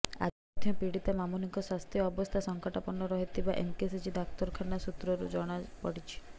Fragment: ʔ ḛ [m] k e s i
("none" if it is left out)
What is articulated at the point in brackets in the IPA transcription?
m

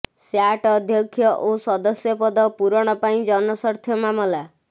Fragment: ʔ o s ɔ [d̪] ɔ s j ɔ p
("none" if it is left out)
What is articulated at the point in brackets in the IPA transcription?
d̪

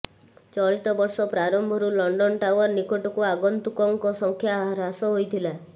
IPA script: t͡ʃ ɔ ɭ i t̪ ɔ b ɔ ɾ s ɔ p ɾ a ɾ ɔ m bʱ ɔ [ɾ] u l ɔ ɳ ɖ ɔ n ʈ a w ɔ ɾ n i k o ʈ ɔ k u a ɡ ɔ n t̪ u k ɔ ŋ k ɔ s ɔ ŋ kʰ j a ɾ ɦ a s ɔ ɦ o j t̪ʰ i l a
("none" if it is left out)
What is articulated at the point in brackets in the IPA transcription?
ɾ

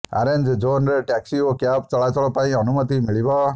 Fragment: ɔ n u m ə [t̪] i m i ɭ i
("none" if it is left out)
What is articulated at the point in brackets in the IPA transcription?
t̪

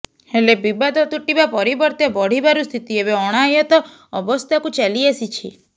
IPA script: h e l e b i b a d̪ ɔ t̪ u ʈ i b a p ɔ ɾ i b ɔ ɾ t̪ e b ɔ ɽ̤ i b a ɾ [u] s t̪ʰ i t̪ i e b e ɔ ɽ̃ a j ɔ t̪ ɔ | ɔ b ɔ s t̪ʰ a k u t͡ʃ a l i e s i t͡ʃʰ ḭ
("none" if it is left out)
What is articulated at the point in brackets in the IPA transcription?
u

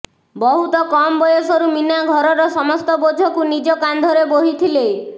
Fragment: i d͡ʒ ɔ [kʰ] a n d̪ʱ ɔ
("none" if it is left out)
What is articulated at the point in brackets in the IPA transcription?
k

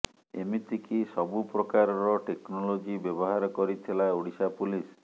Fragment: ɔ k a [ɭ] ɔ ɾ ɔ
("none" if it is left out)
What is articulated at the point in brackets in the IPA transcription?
ɾ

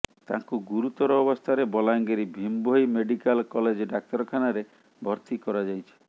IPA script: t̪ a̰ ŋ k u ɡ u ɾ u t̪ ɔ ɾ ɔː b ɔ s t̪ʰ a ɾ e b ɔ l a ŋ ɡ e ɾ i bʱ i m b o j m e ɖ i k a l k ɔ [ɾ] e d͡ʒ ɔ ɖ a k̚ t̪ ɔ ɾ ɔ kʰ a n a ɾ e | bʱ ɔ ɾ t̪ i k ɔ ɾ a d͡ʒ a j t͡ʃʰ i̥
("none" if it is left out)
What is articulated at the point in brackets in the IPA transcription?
l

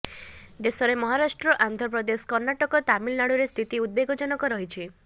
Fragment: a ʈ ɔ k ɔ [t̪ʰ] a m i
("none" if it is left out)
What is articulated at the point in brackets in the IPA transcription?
t̪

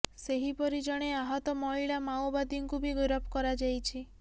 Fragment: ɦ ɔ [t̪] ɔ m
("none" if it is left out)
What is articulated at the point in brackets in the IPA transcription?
t̪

